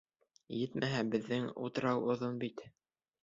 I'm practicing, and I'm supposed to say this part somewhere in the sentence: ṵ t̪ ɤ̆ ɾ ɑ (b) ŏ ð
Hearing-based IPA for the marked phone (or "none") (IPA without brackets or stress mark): w